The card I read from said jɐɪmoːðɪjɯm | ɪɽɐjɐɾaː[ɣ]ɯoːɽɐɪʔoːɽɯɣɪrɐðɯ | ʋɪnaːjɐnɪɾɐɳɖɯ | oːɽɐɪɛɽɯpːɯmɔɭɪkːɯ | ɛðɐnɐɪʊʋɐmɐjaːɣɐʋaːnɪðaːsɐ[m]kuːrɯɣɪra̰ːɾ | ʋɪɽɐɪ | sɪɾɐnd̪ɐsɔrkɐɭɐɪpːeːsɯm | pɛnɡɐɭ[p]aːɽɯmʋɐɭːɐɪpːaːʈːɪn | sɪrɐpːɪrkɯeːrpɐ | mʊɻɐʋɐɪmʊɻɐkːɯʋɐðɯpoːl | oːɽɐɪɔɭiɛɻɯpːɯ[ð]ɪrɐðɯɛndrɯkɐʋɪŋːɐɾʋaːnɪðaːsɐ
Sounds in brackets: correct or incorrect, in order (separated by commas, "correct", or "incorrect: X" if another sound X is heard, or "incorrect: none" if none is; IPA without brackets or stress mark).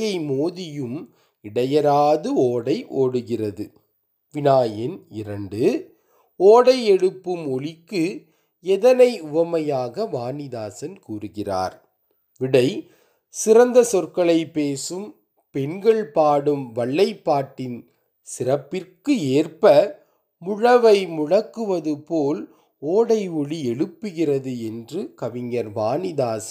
incorrect: ð, incorrect: n, correct, incorrect: ɣ